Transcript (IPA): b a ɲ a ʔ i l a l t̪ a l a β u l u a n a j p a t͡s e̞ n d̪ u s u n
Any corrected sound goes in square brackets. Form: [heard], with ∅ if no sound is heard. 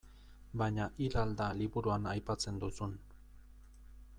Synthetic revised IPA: b a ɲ a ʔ i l a l [d̪] a l [i] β u [ɾ] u a n a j p a t͡s e̞ n d̪ u s u n